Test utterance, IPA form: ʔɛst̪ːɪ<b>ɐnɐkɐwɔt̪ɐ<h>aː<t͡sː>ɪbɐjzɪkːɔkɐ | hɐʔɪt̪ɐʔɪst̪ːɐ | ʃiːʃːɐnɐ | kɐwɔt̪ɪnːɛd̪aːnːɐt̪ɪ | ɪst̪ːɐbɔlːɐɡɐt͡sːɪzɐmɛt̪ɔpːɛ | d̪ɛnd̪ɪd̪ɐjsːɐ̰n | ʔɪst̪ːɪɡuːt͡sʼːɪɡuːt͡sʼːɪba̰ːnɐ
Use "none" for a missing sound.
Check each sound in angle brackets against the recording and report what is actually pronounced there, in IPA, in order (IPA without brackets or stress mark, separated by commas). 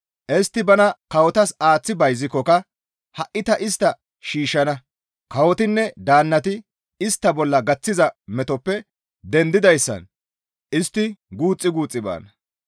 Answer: b, s, t͡sː